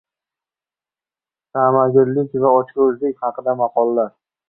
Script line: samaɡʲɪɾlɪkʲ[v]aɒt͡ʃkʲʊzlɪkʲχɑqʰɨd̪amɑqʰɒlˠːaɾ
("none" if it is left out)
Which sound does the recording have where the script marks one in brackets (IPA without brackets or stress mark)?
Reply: v